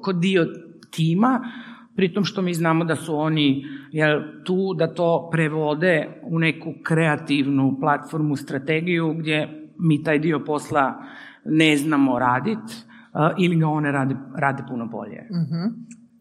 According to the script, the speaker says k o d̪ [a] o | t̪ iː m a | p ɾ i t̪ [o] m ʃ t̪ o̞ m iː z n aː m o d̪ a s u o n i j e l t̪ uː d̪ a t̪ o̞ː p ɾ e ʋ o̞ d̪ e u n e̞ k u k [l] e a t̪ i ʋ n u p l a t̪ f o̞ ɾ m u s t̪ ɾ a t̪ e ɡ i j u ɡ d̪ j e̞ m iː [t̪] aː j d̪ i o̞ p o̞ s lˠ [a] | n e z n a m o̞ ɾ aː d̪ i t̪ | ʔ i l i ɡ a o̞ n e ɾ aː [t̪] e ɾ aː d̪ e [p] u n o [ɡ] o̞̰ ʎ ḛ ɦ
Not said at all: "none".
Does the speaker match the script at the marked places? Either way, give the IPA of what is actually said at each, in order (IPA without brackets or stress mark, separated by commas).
i, o, ɾ, t̪, a, d̪, p, b